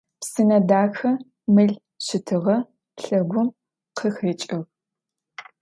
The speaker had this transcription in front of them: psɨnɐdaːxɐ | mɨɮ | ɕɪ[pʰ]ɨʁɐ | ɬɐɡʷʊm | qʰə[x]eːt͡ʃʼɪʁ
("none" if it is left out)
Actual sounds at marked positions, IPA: tʰ, x

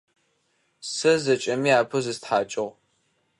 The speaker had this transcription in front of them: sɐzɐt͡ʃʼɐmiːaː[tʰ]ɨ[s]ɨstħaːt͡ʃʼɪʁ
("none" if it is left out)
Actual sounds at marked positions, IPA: pʰ, z

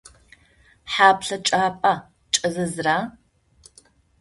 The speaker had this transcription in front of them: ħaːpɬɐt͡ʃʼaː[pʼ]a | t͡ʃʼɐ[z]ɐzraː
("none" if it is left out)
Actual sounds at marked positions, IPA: pʼ, z

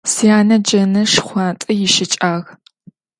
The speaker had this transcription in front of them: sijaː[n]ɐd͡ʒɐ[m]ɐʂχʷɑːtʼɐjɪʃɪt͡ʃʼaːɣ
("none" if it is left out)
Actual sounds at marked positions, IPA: n, n

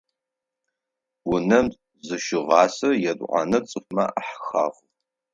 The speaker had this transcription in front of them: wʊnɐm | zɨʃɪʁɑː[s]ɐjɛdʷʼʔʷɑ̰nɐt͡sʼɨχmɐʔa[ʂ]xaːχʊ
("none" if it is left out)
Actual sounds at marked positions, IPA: s, ħ

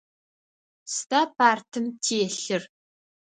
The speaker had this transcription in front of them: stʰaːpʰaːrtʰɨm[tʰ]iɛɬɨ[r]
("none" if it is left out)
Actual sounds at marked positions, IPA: tʰ, r

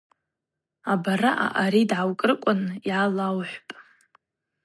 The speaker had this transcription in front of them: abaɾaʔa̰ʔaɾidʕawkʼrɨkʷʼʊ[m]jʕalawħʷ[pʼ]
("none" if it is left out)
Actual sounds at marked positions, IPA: n, pʼ

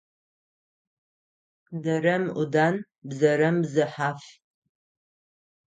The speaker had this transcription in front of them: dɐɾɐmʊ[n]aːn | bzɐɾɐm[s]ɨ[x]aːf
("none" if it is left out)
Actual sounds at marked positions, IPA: d, z, ħ

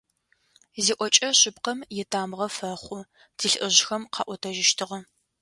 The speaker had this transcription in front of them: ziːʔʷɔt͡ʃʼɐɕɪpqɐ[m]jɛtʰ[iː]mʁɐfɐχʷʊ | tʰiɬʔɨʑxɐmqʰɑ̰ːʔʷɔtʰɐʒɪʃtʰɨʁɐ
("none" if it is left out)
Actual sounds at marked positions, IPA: m, aː

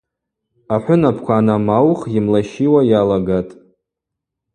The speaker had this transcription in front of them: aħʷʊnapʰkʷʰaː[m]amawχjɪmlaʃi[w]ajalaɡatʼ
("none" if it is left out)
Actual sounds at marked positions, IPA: n, w

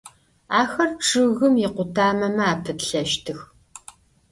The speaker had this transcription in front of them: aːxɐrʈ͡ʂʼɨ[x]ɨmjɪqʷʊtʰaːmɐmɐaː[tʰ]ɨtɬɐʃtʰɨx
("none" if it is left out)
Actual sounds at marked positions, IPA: ɣ, pʰ

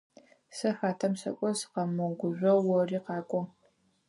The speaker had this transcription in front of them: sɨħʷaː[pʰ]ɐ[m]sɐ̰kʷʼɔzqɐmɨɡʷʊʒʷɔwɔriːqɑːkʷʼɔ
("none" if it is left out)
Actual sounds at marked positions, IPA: tʰ, m

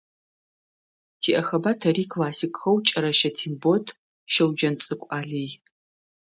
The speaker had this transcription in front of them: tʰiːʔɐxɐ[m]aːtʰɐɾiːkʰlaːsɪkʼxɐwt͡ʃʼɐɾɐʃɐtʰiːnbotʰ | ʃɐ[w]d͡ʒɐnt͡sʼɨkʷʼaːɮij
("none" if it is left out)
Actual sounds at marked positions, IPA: b, w

